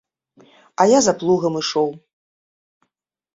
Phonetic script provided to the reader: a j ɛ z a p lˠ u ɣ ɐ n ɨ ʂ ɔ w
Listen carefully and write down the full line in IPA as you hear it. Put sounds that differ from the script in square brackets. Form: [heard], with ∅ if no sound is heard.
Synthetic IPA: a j [a] z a p lˠ u ɣ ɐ [m] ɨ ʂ ɔ w